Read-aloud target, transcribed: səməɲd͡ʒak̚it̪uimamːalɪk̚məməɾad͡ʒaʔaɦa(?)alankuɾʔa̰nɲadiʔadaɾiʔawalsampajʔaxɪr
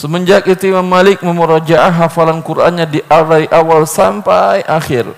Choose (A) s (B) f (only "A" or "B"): B